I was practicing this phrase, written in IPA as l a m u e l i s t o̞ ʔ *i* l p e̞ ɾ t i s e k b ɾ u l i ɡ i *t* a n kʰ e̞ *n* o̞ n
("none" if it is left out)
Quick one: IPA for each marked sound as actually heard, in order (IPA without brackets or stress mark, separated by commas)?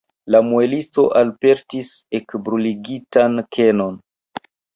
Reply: a, t, n